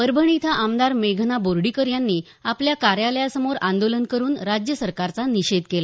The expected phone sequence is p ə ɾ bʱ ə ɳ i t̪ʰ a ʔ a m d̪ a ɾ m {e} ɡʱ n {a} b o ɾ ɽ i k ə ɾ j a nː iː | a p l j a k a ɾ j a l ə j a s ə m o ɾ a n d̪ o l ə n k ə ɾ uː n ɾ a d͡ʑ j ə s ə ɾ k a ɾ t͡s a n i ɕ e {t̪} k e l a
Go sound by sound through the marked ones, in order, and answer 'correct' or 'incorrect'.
correct, correct, incorrect

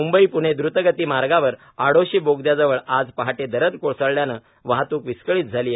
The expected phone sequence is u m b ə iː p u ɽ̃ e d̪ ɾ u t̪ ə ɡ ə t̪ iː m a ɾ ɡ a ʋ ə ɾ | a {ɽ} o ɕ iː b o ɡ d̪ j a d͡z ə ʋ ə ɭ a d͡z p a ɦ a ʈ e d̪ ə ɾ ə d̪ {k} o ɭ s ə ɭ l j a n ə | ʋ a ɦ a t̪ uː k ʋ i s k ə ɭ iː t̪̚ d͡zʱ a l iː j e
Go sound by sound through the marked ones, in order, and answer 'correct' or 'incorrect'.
correct, correct

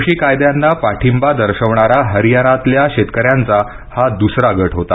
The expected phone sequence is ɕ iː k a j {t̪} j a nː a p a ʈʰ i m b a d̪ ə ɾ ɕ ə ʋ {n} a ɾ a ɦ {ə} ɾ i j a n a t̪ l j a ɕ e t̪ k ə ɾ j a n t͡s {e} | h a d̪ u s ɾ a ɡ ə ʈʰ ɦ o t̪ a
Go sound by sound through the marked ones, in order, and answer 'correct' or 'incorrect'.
incorrect, incorrect, correct, incorrect

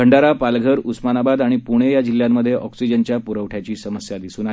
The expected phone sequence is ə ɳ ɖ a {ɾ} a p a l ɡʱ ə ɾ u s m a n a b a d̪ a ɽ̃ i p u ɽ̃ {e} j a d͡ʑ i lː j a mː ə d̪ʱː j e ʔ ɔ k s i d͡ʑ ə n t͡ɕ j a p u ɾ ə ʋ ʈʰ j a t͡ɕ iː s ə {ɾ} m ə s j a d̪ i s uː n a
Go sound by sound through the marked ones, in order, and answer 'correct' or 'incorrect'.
correct, correct, incorrect

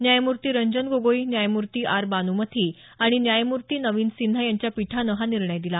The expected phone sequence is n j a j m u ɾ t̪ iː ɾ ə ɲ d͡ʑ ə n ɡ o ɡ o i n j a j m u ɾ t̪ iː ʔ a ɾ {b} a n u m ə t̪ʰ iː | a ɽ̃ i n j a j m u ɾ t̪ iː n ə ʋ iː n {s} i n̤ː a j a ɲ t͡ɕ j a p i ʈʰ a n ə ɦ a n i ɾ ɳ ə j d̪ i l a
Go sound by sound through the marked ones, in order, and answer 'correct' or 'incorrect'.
correct, correct

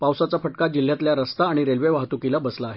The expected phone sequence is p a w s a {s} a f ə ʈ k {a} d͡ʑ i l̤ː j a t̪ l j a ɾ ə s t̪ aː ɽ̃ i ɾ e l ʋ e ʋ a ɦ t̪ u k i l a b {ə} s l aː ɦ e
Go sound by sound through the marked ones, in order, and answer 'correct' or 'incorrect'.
incorrect, correct, correct

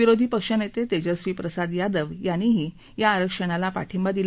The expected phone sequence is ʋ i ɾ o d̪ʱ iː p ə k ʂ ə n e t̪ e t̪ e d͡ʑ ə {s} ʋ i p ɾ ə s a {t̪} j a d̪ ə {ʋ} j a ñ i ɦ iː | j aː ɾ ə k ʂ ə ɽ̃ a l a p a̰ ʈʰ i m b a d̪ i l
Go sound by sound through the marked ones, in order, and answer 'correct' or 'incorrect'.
correct, incorrect, correct

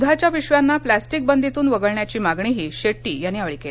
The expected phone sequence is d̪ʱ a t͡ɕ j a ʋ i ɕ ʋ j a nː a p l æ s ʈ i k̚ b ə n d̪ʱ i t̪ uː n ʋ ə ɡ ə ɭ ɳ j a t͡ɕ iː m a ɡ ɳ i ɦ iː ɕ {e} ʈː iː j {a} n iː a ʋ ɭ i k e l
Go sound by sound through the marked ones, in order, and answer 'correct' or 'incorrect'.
correct, correct

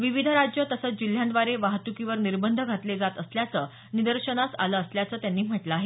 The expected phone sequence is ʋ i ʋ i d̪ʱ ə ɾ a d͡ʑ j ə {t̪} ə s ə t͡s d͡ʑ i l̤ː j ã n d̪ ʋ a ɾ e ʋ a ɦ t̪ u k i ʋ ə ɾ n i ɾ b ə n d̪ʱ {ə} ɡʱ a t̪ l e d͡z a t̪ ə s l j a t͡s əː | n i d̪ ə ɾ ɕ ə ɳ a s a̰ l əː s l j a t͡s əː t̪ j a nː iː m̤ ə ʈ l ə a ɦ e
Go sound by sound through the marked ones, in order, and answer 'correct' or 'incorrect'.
correct, correct

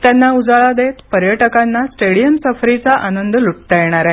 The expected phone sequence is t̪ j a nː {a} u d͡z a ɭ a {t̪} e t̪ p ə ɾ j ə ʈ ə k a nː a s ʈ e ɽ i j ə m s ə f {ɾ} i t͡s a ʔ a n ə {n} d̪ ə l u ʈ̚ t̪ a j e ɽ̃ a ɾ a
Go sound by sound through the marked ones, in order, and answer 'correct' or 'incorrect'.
correct, incorrect, correct, correct

